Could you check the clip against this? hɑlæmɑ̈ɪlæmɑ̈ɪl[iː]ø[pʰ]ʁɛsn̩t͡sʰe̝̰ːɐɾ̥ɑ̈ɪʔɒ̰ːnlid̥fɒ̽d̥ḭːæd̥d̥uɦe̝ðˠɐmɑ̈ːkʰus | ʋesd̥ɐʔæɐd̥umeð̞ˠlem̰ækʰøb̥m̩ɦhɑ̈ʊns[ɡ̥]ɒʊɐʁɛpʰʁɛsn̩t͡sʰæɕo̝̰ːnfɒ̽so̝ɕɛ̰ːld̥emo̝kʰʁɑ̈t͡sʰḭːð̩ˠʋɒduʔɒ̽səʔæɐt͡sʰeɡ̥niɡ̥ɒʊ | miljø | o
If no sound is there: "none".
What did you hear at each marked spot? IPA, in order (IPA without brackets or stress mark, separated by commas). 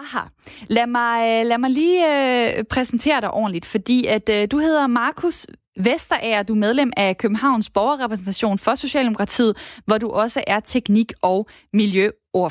iː, pʰ, b̥